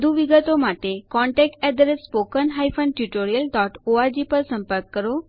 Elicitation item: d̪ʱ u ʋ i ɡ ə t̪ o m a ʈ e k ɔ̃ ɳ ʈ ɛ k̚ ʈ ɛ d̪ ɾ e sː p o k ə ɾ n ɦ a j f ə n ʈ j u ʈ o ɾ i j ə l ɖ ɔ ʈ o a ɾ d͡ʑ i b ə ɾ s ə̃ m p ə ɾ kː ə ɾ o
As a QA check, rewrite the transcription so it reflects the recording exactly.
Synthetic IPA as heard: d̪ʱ u ʋ i ɡ ə t̪ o m a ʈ e k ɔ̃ ɳ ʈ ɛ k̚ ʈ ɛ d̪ ɾ e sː p o k ə n ɦ a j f ə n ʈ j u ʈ o ɾ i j ə l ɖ ɔ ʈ o a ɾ d͡ʑ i p ə ɾ s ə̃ m p ə ɾ kː ə ɾ o